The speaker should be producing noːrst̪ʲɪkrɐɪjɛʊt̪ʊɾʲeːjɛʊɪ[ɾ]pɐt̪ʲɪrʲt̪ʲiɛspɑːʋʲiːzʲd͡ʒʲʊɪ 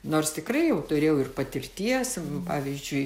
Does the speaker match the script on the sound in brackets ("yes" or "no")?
no